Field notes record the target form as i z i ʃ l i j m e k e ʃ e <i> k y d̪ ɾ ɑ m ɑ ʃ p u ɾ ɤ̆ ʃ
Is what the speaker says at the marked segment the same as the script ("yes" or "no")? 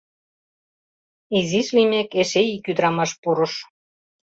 yes